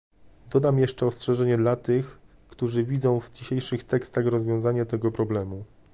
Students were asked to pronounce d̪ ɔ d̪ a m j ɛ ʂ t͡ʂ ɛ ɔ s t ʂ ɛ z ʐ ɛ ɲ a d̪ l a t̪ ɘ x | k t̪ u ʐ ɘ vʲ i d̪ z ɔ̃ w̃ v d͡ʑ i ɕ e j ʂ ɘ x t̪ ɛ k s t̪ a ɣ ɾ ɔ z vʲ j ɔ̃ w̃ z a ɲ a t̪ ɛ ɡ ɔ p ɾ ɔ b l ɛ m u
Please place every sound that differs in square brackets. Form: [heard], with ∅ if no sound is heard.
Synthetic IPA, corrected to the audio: d̪ ɔ d̪ a m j ɛ ʂ t͡ʂ ɛ ɔ s t ʂ ɛ [∅] ʐ ɛ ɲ [ɛ] d̪ l a t̪ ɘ x | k t̪ u ʐ ɘ vʲ i d̪ z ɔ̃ w̃ v d͡ʑ i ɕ e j ʂ ɘ x t̪ ɛ k s t̪ a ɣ ɾ ɔ z vʲ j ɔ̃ w̃ z a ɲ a t̪ ɛ ɡ ɔ p ɾ ɔ b l ɛ m u